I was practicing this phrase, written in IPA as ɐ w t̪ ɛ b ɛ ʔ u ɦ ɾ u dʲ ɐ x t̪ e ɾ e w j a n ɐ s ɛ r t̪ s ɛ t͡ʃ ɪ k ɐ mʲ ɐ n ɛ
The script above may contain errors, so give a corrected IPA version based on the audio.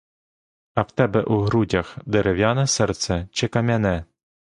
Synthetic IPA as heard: ɐ w t̪ ɛ b ɛ ʔ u ɦ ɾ u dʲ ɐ x d̪ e ɾ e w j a n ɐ s ɛ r t̪ s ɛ t͡ʃ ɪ k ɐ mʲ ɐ n ɛ